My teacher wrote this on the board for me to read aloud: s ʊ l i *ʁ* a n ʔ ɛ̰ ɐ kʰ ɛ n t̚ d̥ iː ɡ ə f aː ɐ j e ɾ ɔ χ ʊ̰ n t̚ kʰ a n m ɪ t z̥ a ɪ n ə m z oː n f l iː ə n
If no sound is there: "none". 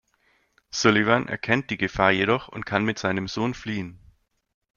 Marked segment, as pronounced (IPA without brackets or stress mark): v